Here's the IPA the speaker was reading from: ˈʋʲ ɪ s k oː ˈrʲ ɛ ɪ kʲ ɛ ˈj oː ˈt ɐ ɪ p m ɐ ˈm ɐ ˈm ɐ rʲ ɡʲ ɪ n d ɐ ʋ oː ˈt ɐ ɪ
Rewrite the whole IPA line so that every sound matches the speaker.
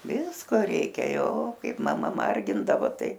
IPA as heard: ˈʋʲ ɪ s k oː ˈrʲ ɛ ɪ kʲ ɛ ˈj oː ˈk ɐ ɪ p m ɐ ˈm ɐ ˈm ɐ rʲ ɡʲ ɪ n d ɐ ʋ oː ˈt ɐ ɪ